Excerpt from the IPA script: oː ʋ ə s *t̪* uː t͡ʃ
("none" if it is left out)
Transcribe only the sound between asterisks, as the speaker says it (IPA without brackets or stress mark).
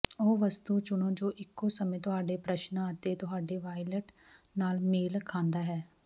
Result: t̪